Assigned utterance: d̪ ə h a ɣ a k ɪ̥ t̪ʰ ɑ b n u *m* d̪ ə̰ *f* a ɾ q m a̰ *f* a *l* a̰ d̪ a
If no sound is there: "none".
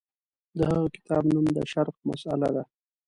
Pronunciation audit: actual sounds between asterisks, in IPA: m, ʃ, s, l

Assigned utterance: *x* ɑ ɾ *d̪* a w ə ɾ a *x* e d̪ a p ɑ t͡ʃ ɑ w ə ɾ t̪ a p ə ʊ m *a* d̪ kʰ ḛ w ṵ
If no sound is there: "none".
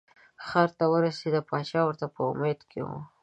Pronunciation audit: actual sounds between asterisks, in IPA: x, t̪, s, e

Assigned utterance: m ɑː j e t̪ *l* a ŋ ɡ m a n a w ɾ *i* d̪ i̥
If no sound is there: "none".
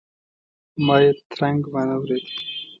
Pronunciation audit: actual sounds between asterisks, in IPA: ɾ, e

